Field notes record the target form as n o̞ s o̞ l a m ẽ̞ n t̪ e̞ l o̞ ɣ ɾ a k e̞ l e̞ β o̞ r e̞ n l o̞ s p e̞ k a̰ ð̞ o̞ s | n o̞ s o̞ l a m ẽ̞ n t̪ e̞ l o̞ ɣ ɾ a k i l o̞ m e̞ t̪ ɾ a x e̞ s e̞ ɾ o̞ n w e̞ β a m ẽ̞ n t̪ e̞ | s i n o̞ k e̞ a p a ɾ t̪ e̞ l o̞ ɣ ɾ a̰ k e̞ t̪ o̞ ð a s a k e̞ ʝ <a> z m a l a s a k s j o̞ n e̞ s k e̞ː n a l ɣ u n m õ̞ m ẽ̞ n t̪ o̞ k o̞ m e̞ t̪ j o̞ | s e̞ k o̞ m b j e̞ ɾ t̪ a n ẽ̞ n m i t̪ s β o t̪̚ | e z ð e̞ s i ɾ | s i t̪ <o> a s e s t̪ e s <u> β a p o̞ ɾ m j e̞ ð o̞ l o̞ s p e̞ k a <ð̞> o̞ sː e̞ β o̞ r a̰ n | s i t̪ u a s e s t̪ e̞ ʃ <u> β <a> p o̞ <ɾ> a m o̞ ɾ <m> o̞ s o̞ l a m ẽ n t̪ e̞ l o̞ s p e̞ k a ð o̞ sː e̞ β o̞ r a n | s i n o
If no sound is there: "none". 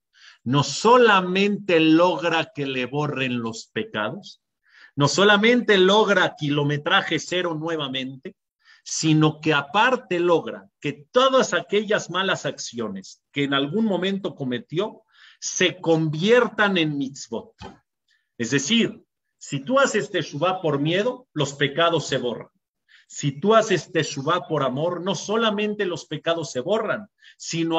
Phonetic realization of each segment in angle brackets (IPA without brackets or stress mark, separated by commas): a, u, u, ð̞, u, a, ɾ, n